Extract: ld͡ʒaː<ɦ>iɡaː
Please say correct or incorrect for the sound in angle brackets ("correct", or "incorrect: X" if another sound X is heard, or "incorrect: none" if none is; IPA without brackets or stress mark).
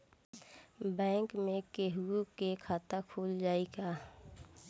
incorrect: none